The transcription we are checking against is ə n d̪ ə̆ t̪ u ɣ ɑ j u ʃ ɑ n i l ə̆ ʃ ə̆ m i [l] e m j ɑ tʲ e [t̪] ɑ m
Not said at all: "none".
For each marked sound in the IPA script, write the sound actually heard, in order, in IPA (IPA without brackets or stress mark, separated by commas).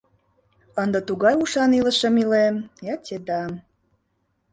l, d̪